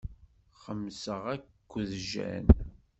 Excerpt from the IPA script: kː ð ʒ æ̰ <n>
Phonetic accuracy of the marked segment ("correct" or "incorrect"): correct